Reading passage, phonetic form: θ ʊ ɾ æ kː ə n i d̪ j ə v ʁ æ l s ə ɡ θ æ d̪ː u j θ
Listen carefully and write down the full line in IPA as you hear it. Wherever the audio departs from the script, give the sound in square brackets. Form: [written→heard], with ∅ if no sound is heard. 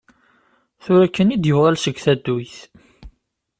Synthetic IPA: θ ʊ ɾ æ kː ə n i d̪ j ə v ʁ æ l s ə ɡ θ æ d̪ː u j θ

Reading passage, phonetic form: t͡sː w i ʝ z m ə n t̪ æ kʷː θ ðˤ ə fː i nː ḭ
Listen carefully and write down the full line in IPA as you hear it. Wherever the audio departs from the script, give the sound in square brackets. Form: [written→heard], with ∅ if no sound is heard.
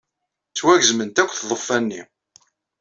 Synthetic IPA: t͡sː w [i→æ] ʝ z m ə n t̪ æ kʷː θ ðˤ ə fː [i→æ] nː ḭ

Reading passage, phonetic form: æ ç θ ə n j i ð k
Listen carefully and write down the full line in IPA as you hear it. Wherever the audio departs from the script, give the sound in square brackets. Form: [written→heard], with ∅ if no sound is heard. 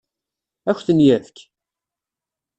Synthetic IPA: æ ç θ ə n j [i→æ] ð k

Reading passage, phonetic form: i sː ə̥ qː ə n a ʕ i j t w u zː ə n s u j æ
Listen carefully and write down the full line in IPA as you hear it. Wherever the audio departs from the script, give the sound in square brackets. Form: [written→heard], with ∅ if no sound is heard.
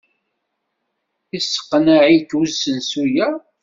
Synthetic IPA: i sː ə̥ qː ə n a ʕ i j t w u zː ə n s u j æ

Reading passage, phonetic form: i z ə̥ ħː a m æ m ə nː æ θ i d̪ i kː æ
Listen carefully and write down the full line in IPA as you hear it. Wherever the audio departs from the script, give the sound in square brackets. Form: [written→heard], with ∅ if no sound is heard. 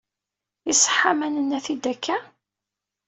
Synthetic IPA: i [z→s] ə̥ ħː a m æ [m→n] ə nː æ θ i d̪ [i→æ] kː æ

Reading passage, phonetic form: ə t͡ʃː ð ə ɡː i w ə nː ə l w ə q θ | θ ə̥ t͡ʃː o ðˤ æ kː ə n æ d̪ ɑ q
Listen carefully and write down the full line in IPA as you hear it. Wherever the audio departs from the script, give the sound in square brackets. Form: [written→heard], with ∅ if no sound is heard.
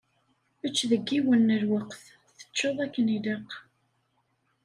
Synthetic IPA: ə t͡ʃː ð ə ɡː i w ə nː ə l w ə q θ | θ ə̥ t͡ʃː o ðˤ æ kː ə n [æ→i] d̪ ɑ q

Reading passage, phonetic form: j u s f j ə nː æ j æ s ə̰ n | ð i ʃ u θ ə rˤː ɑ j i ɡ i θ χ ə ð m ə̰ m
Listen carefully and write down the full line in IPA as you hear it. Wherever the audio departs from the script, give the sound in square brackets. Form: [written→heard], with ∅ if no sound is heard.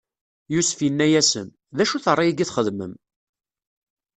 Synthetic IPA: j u s f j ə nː æ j æ s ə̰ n | ð [i→æ] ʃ u θ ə rˤː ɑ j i ɡ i θ χ ə ð m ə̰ m

